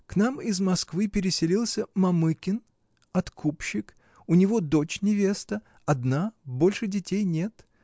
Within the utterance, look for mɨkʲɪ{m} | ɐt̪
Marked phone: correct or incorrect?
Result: incorrect